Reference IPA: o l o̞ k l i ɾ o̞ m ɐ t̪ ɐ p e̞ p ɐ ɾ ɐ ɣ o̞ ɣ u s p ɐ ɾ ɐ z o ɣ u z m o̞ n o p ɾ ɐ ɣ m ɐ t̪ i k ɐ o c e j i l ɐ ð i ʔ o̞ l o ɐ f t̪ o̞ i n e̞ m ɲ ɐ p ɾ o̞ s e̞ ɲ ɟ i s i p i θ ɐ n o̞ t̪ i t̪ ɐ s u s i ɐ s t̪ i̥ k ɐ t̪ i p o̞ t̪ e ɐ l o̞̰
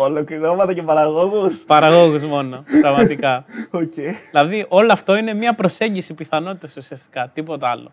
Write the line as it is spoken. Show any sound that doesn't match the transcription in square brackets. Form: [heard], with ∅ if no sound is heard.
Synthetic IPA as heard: o l o̞ k l i ɾ o̞ m ɐ t̪ ɐ [c] e̞ p ɐ ɾ ɐ ɣ o̞ ɣ u s p ɐ ɾ ɐ [ɣ] o ɣ u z m o̞ n o p ɾ ɐ ɣ m ɐ t̪ i k ɐ o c e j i l ɐ ð i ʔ o̞ l o ɐ f t̪ o̞ i n e̞ m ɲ ɐ p ɾ o̞ s e̞ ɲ ɟ i s i p i θ ɐ n o̞ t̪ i t̪ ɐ s u s i ɐ s t̪ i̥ k ɐ t̪ i p o̞ t̪ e ɐ l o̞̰